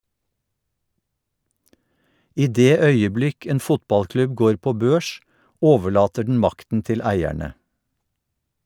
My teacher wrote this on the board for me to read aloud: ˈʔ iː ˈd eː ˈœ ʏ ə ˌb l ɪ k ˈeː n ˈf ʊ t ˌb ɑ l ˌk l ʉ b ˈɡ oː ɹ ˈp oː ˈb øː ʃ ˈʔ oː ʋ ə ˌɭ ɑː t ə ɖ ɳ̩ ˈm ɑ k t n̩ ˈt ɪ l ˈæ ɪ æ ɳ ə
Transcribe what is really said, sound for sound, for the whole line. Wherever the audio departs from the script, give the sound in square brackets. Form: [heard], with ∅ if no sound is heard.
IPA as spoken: ˈʔ iː ˈd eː ˈœ ʏ ə ˌb l ɪ k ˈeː n ˈf ʊ t ˌb ɑ l ˌk l ʉ b ˈɡ oː ɹ ˈp oː ˈb øː ʃ ˈʔ oː ʋ ə ˌɭ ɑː t ə ɖ ɳ̩ ˈm ɑ k t n̩ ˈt ɪ l ˈæ ɪ æ ɳ ə

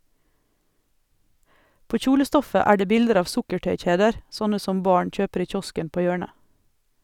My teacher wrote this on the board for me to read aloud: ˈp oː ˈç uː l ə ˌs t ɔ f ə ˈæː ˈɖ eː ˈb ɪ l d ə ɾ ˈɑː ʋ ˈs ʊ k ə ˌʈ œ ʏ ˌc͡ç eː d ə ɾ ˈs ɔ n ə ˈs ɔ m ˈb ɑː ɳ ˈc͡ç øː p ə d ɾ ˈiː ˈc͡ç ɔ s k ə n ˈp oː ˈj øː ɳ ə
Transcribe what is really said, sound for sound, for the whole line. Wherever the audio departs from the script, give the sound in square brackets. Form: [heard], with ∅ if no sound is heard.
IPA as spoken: ˈp oː ˈç uː l ə ˌs t ɔ f ə ˈæː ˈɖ eː ˈb ɪ l d ə ɾ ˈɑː ʋ ˈs ʊ k ə ˌʈ œ ʏ ˌc͡ç eː d ə ɾ ˈs ɔ n ə ˈs ɔ m ˈb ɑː ɳ ˈc͡ç øː p ə [∅] ɾ ˈiː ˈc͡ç ɔ s k ə n ˈp oː ˈj øː ɳ ə

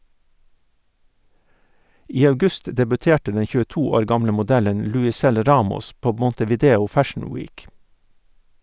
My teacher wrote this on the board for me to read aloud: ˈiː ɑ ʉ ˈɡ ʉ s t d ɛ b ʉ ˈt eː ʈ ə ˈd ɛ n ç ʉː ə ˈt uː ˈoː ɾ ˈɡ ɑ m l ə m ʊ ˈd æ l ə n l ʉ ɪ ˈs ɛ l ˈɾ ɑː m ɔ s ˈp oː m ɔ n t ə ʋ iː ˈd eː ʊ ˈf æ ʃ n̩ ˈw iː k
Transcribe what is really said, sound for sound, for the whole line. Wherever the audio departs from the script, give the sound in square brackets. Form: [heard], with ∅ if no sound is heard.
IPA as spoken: ˈiː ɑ ʉ ˈɡ ʉ s t d ɛ b ʉ ˈt eː ʈ ə ˈd ɛ n ç ʉː ə ˈt uː ˈoː ɾ ˈɡ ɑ m l ə m ʊ ˈd æ l ə n l ʉ ɪ ˈs ɛ l ˈɾ ɑː m ɔ s ˈp oː m ɔ n t ə ʋ iː ˈd eː ʊ ˈf æ ʃ n̩ ˈw iː k

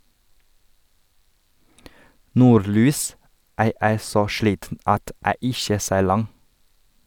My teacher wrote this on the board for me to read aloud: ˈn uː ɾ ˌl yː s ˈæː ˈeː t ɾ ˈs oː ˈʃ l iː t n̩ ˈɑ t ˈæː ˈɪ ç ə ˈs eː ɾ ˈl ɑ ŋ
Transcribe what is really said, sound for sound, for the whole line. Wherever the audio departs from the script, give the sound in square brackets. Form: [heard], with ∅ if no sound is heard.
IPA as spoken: ˈn uː ɾ ˌl yː s ˈæː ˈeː [∅] ɾ ˈs oː ˈʃ l iː t n̩ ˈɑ t ˈæː ˈɪ ç ə ˈs eː ɾ ˈl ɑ ŋ

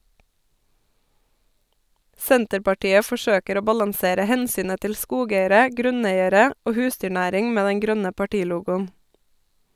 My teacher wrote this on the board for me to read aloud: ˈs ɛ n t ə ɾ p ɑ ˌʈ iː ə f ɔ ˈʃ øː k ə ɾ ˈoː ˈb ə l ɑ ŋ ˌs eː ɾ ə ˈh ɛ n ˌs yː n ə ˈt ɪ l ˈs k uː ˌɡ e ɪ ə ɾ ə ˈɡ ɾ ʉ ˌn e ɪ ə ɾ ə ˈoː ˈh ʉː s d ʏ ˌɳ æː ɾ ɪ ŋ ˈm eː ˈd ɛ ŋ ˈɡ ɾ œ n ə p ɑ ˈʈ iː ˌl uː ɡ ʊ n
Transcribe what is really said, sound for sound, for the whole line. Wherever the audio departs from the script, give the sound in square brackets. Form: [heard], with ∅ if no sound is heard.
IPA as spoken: ˈs ɛ n t ə ɾ p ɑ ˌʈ iː ə f ɔ ˈʃ øː k ə ɾ ˈoː ˈb [ɑ] l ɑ ŋ ˌs eː ɾ ə ˈh ɛ n ˌs yː n ə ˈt ɪ l ˈs k uː ˌɡ e ɪ ə ɾ ə ˈɡ ɾ ʉ ˌn e ɪ ə ɾ ə ˈoː ˈh ʉː s d ʏ ˌɳ æː ɾ ɪ ŋ ˈm eː ˈd ɛ ŋ ˈɡ ɾ œ n ə p ɑ ˈʈ iː ˌl uː ɡ ʊ n

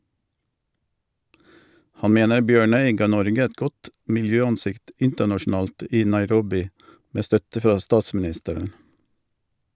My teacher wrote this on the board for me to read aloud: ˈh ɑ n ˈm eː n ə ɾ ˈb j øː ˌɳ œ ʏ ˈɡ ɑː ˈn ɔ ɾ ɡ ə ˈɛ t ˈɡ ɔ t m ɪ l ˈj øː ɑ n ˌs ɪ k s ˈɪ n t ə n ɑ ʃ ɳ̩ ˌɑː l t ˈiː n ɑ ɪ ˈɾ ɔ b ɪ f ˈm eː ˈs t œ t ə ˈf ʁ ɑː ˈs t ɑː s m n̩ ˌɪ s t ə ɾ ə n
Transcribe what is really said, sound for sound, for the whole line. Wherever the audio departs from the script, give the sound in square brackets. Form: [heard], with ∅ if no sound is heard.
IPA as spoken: ˈh ɑ n ˈm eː n ə ɾ ˈb j øː ˌɳ œ ʏ ˈɡ ɑː ˈn ɔ ɾ ɡ ə ˈɛ t ˈɡ ɔ t m ɪ l ˈj øː ɑ n ˌs ɪ k [t] ˈɪ n t ə n ɑ ʃ ɳ̩ ˌɑː l t ˈiː n ɑ ɪ ˈɾ ɔ b ɪ [∅] ˈm eː ˈs t œ t ə ˈf ʁ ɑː ˈs t ɑː s m n̩ ˌɪ s t ə ɾ ə n

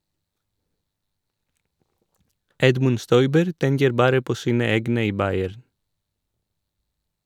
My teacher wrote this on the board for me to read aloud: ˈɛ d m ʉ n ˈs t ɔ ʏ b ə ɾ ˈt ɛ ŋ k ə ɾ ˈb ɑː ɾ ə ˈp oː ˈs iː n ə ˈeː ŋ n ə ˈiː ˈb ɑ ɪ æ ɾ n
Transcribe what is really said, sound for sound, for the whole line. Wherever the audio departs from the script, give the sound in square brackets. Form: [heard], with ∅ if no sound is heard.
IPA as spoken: ˈɛ d m ʉ n ˈs t ɔ ʏ b ə ɾ ˈt ɛ ŋ k ə ɾ ˈb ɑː ɾ ə ˈp oː ˈs iː n ə ˈeː [ɡ] n ə ˈiː ˈb ɑ ɪ æ ɾ n

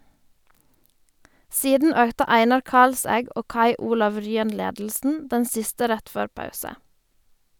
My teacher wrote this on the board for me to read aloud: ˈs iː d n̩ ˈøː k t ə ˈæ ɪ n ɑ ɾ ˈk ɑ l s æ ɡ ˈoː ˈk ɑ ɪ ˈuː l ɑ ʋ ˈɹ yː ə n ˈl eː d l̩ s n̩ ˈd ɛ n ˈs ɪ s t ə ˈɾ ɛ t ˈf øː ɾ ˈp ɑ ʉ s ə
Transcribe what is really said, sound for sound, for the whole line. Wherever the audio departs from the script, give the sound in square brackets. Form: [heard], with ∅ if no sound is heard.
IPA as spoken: ˈs iː d n̩ ˈøː k t ə ˈæ ɪ n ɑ ɾ ˈk ɑ l s æ ɡ ˈoː ˈk ɑ ɪ ˈuː l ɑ ʋ ˈɹ yː ə n ˈl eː d l̩ s n̩ ˈd ɛ n ˈs ɪ s t ə ˈɾ ɛ t ˈf øː ɾ ˈp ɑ ʉ s ə

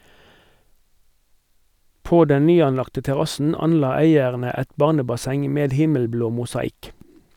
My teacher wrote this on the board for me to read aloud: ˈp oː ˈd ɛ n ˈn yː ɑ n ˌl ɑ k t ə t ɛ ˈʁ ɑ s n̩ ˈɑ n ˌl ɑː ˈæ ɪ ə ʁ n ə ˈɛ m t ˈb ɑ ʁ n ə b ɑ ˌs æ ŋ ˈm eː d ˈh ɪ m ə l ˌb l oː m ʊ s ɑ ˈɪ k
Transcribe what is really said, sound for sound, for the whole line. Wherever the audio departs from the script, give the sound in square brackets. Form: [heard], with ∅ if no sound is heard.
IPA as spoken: ˈp oː ˈd ɛ n ˈn yː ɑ n ˌl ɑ k t ə t ɛ ˈʁ ɑ s n̩ ˈɑ n ˌl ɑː ˈæ ɪ ə ʁ n ə ˈɛ [∅] t ˈb ɑ ʁ n ə b ɑ ˌs [ɛ] ŋ ˈm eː d ˈh ɪ m ə l ˌb l oː m ʊ s ɑ ˈɪ k

